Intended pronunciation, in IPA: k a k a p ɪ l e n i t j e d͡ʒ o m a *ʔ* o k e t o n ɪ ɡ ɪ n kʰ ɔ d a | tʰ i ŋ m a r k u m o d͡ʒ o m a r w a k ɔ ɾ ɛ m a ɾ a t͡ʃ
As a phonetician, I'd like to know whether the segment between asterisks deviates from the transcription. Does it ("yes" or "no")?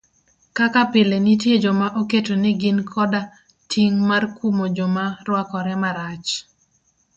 no